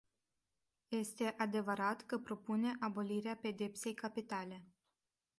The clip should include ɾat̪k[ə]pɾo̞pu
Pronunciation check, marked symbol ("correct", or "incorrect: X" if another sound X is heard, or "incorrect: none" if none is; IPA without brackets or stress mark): correct